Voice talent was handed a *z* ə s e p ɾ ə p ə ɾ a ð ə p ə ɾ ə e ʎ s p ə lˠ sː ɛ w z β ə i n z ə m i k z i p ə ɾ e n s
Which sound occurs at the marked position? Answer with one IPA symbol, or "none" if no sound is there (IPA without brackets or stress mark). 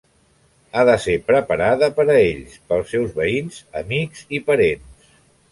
ð